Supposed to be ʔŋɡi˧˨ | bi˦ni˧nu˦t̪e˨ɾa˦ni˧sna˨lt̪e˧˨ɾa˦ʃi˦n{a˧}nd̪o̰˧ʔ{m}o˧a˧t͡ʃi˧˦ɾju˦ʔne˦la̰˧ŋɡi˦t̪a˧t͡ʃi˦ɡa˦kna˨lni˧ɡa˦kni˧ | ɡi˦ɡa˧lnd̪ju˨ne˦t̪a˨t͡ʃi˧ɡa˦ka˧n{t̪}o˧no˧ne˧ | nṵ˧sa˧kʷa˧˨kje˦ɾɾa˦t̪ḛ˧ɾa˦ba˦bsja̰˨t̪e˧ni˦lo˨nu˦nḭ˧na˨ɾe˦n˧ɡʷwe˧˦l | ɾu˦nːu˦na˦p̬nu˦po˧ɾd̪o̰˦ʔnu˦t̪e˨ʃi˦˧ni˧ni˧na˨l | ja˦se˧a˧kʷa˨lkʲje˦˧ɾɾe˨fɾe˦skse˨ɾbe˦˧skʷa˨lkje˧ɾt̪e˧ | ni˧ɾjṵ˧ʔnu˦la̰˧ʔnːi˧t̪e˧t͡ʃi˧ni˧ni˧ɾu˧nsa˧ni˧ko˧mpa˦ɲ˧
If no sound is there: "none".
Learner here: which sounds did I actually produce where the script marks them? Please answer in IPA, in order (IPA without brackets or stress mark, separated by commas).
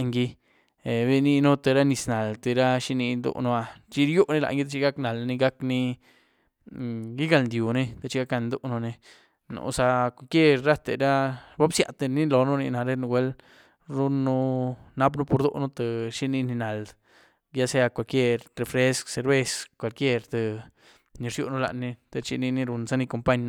i˧, n, d̪